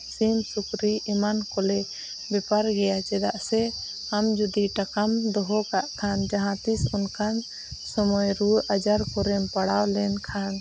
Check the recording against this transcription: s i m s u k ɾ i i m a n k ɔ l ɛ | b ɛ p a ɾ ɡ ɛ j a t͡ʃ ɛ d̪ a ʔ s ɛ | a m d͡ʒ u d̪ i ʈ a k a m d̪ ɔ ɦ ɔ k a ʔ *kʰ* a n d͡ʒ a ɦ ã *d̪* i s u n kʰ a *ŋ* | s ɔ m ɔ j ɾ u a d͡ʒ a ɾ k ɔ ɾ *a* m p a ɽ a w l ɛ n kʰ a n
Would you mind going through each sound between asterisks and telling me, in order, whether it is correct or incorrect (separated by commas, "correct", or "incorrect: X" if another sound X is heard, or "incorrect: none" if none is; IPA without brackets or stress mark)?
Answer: correct, incorrect: t̪, incorrect: n, incorrect: ɛ